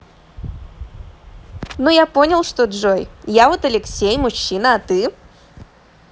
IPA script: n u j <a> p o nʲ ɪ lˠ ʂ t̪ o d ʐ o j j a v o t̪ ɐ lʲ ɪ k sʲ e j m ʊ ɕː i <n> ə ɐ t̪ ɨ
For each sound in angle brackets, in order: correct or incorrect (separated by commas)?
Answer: correct, correct